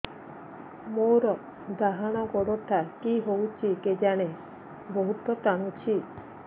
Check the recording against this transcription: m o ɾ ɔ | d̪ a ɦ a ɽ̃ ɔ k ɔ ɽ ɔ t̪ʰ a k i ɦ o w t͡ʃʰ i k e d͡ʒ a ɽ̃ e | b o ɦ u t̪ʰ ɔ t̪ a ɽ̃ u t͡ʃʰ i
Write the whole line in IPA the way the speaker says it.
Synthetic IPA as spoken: m o ɾ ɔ | d̪ a ɦ a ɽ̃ ɔ ɡ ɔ ɽ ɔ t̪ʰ a k i ɦ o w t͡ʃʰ i k e d͡ʒ a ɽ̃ e | b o ɦ u t̪ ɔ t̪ a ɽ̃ u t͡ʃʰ i